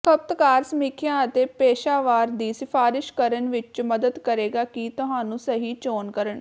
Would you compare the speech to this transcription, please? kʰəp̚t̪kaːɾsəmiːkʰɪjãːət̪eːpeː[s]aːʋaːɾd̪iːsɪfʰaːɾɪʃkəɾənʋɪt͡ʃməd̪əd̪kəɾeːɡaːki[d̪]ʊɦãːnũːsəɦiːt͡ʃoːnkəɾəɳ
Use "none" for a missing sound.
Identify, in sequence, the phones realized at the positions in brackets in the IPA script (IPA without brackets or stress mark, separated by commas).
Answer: ʃ, t̪